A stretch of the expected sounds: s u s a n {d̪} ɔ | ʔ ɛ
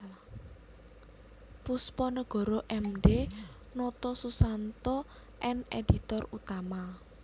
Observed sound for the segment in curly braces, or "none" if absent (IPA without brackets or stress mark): t̪